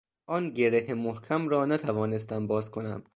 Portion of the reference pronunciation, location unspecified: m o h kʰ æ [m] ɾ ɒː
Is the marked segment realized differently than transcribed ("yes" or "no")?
no